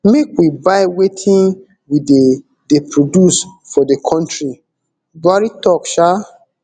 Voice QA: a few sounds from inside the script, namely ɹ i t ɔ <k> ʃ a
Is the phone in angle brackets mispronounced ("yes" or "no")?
no